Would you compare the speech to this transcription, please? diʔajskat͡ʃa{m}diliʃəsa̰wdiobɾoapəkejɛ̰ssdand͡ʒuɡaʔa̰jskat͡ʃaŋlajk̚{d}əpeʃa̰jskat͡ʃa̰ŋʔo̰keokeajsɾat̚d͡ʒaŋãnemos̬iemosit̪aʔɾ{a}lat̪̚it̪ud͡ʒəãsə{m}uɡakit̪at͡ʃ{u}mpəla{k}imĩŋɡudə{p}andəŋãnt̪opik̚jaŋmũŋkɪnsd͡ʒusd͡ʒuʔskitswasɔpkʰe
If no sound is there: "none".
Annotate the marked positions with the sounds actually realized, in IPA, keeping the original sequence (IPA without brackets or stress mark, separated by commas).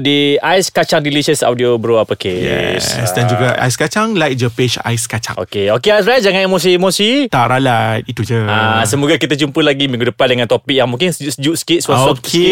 ŋ, d͡ʒ, a, m, u, ɡ, p